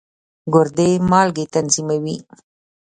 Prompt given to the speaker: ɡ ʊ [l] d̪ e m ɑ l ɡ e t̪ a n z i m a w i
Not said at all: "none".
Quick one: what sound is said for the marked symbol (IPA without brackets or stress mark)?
ɾ